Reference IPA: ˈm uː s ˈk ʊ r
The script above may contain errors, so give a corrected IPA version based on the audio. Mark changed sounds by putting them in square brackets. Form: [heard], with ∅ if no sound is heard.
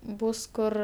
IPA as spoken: [ˈb] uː s ˈk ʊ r